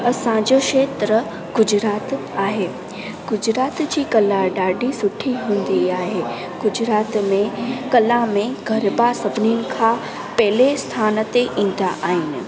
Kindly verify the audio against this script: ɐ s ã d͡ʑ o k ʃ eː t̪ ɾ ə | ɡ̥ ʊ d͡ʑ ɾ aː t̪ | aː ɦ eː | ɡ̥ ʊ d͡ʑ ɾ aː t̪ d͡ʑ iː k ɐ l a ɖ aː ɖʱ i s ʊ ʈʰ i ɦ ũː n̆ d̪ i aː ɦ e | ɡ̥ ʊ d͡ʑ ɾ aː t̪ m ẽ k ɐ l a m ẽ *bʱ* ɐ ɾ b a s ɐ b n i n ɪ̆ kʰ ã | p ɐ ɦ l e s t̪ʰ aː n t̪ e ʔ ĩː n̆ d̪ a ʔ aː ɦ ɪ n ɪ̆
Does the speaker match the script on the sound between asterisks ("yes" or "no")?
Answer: no